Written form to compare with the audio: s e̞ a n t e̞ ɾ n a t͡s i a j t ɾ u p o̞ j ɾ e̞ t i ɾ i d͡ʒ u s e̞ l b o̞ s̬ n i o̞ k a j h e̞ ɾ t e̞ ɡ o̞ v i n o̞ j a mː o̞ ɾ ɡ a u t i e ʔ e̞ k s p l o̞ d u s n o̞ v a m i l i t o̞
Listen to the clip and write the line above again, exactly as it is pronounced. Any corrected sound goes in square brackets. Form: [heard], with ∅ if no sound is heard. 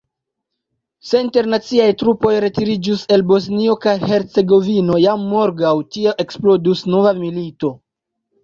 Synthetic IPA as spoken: s e̞ [i] n t e̞ ɾ n a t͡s i a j t ɾ u p o̞ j ɾ e̞ t i ɾ i d͡ʒ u s e̞ l b o̞ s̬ n i o̞ k a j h e̞ ɾ [t͡s] e̞ ɡ o̞ v i n o̞ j a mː o̞ ɾ ɡ a [w] t i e ʔ e̞ k s p l o̞ d u s n o̞ v a m i l i t o̞